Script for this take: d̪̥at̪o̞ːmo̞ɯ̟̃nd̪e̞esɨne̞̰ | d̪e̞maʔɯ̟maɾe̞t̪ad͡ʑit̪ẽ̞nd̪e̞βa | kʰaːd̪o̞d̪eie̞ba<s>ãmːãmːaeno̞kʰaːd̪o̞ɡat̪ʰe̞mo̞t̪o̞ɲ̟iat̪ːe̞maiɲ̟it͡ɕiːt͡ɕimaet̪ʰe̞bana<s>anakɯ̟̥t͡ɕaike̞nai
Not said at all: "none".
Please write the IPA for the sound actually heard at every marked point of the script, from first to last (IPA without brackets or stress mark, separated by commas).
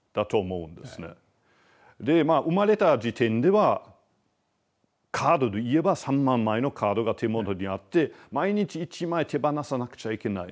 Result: s, s